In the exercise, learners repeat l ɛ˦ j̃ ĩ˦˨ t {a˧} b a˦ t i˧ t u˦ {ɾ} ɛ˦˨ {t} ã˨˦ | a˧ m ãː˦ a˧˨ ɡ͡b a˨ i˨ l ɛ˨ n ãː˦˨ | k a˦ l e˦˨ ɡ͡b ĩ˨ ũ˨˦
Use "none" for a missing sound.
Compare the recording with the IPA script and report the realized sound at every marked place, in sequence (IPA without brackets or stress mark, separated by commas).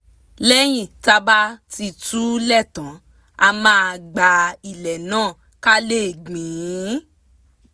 a˧, l, t